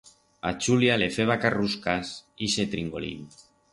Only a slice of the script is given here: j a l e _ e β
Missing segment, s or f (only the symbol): f